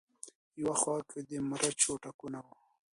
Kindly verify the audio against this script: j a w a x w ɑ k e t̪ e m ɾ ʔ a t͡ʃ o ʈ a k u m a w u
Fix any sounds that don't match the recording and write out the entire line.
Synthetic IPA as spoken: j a w a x w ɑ k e d̪ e m ɾ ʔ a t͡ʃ o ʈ a k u n a w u